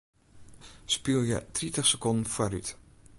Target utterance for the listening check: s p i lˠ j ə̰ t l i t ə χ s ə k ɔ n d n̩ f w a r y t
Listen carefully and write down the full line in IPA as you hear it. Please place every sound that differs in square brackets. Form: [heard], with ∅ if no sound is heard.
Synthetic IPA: s p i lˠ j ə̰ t [r] i t ə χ s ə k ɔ n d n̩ f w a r y t